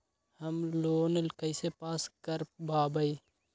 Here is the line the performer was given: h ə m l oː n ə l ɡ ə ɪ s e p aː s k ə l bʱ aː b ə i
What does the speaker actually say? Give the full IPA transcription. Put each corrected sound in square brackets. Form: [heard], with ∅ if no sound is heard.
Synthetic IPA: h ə m l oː n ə l [k] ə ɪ s e p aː s k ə [ɾ] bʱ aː b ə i